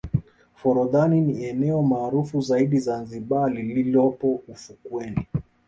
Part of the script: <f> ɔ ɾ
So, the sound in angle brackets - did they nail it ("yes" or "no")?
yes